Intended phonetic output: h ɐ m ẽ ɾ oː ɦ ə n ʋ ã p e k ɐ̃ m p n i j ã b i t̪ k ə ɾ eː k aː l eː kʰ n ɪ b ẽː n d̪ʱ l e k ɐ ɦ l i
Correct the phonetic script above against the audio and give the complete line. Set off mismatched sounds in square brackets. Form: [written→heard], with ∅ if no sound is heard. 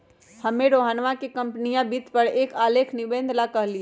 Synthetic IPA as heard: h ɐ m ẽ ɾ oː ɦ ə n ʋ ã [p→k] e k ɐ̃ m p n i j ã b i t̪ [k→p] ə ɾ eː k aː l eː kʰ n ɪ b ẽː n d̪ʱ l [e→a] k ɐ ɦ l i